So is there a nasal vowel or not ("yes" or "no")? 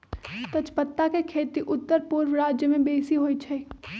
yes